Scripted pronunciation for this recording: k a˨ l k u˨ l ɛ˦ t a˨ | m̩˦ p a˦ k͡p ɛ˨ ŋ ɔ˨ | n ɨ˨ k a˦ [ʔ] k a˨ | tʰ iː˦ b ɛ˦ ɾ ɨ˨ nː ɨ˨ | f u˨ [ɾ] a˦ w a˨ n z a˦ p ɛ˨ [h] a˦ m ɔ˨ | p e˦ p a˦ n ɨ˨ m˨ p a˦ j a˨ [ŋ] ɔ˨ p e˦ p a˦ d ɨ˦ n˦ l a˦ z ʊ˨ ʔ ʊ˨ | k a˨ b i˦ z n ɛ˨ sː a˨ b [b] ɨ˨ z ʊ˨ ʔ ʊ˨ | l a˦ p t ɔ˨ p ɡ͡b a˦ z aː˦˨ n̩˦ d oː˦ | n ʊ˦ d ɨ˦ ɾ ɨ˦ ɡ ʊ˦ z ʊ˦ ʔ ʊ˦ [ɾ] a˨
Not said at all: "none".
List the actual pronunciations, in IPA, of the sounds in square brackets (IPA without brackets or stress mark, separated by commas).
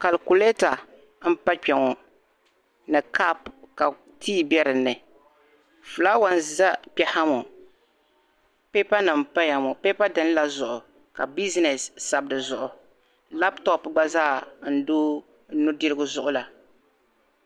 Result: p, l, h, m, d, l